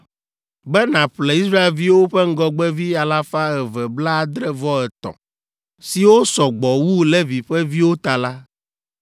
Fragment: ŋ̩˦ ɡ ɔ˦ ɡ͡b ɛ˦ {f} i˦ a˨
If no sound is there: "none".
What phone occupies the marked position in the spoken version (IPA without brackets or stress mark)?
v